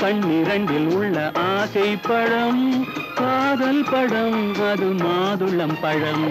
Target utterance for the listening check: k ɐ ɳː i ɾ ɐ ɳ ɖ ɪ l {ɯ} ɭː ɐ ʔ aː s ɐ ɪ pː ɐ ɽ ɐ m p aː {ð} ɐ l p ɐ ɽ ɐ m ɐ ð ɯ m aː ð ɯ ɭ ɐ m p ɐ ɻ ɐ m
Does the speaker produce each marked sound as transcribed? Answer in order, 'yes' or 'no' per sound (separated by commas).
no, yes